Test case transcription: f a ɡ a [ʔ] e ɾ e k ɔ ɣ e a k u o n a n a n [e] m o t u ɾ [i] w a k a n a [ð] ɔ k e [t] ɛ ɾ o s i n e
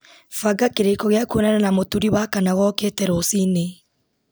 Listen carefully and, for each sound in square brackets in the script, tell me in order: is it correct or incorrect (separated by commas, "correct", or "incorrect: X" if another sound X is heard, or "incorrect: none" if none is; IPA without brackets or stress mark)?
incorrect: k, incorrect: a, correct, incorrect: ɣ, correct